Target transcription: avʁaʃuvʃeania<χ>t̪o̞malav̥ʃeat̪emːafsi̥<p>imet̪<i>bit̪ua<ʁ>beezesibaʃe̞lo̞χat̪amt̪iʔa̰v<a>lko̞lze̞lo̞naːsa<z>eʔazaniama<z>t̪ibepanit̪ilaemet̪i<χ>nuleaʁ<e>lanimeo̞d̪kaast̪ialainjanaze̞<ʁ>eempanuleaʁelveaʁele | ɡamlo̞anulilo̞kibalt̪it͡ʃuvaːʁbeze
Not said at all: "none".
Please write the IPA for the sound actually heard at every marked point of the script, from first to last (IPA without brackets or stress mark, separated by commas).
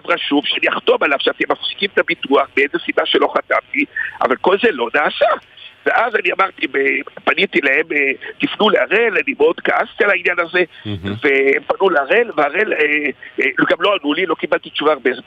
χ, k, a, χ, a, v, ʁ, f, e, v